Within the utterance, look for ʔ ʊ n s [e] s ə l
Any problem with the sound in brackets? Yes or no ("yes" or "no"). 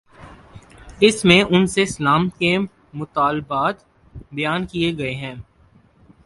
no